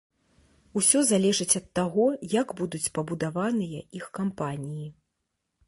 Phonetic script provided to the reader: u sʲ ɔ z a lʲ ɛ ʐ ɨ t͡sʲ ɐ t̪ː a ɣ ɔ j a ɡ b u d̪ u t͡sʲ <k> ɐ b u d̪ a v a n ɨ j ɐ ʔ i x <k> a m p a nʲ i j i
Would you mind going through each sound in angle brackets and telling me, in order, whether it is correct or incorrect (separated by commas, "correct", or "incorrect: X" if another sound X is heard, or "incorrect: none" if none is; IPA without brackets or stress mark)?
incorrect: p, correct